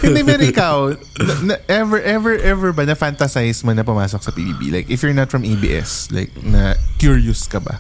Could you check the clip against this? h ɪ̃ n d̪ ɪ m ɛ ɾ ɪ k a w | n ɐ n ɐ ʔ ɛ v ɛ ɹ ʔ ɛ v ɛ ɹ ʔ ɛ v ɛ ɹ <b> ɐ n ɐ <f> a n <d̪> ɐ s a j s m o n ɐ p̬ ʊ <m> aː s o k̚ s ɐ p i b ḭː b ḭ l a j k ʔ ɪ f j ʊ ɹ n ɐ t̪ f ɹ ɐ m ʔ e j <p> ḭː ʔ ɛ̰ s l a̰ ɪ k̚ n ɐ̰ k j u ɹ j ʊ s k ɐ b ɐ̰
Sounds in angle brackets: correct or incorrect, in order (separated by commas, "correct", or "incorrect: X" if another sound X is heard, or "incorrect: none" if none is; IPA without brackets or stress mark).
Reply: correct, correct, incorrect: t̪, correct, incorrect: b